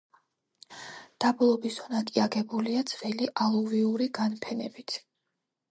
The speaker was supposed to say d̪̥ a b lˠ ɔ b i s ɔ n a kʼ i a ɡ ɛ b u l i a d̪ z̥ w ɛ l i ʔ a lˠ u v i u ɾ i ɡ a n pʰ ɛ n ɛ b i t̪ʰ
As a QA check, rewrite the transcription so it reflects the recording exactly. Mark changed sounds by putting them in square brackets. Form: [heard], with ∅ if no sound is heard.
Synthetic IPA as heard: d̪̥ a b lˠ ɔ b i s ɔ n a kʼ i a ɡ ɛ b u l i a d̪ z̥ [v] ɛ l i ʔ a lˠ u v i u ɾ i ɡ a n pʰ ɛ n ɛ b i t̪ʰ